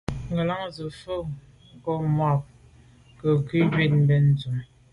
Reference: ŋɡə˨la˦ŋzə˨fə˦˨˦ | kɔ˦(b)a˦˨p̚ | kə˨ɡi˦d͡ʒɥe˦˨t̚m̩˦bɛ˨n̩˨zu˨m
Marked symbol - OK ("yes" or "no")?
no